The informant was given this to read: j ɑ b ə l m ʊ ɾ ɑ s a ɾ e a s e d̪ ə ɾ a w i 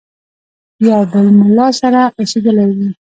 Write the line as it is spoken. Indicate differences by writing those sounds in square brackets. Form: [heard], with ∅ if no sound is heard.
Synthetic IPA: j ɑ b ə l m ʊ [l] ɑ s a ɾ [a] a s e d̪ ə [l] a w i